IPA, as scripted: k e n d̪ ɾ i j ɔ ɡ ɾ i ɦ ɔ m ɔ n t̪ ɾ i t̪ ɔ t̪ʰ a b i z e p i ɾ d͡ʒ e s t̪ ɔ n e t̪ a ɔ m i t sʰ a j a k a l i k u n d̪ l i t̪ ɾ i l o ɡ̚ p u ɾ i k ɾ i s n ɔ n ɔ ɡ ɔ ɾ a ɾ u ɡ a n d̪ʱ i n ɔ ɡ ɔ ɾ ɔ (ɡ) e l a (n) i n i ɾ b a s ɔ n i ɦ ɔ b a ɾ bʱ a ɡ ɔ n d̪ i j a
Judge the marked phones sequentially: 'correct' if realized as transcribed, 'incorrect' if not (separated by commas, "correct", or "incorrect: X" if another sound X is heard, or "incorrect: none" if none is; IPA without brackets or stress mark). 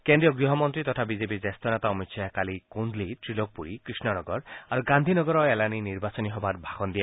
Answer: incorrect: none, correct